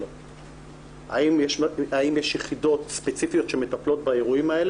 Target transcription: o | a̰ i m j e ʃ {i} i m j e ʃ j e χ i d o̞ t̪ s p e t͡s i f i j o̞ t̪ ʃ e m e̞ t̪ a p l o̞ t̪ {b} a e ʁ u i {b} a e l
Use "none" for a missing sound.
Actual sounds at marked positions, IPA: a, b, m

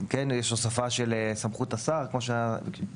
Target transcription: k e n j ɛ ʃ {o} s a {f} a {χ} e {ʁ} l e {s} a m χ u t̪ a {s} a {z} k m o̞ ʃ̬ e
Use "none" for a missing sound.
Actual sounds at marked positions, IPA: o, f, ʃ, none, s, s, ʁ

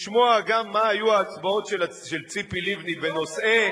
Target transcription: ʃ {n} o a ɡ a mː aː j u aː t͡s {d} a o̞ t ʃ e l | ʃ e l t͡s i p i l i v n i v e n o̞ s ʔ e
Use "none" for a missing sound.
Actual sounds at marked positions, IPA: m, b

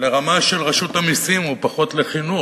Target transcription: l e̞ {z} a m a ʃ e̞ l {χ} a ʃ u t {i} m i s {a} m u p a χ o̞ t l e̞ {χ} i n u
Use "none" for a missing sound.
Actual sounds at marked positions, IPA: ʁ, ʁ, a, i, χ

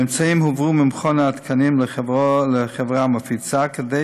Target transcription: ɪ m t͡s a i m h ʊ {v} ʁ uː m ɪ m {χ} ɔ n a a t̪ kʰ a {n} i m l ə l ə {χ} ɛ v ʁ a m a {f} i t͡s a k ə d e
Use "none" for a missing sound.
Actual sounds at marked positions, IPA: v, χ, n, χ, f

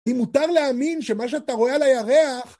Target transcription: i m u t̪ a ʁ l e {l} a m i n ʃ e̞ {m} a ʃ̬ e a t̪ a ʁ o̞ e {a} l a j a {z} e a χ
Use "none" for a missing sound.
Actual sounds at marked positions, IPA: none, m, a, ʁ

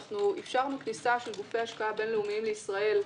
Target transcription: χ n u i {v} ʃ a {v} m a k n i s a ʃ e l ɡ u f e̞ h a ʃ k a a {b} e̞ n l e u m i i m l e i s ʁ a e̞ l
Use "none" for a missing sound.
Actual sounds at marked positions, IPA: f, ʁ, b

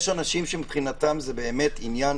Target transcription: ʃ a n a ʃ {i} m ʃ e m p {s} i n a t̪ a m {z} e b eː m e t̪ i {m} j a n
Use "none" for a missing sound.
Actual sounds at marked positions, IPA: i, χ, z, n

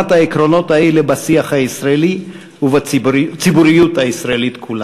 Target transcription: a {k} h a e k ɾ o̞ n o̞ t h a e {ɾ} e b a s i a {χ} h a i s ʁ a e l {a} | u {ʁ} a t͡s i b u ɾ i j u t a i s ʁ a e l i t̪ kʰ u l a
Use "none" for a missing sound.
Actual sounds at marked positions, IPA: t, l, χ, i, v

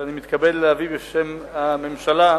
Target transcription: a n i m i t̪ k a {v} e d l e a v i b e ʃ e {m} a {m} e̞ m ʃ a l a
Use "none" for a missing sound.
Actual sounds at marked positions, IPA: b, m, m

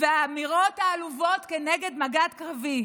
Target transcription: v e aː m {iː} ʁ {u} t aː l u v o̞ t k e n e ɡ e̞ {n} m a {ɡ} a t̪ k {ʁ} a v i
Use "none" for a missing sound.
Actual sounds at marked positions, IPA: i, o, d, ɡ, ʁ

